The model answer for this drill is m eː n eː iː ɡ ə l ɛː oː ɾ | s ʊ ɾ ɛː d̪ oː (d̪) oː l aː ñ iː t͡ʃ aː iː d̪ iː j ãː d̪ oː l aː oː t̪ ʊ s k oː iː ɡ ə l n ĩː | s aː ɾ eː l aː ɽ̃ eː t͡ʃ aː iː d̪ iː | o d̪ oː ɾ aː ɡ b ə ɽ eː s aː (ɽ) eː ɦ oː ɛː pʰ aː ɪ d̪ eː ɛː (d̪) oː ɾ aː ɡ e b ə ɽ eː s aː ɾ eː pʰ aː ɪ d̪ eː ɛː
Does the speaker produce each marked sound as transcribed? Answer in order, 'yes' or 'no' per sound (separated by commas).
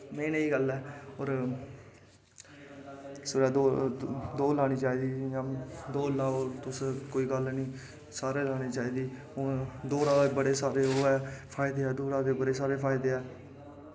yes, no, yes